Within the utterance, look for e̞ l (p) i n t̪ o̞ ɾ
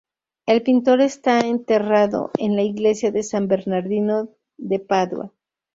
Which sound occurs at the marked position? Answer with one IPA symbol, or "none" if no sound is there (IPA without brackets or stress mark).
p